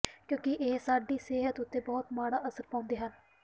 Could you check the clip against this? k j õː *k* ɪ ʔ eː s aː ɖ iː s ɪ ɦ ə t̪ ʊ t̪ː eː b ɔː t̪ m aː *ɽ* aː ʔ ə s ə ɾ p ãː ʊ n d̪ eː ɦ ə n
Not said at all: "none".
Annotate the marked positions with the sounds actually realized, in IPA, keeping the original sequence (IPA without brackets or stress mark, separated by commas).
k, ɽ